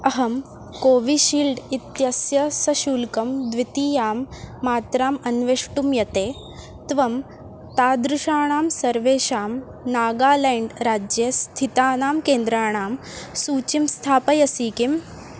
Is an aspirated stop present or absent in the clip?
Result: present